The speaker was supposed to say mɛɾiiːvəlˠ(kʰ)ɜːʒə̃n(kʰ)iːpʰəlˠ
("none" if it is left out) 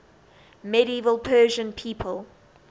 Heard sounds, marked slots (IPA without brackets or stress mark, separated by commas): pʰ, pʰ